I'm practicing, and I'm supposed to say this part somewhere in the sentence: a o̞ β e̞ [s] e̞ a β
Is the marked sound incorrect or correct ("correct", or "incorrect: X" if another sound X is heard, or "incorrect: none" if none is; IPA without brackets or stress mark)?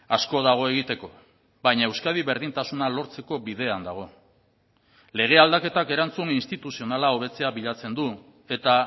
incorrect: t͡s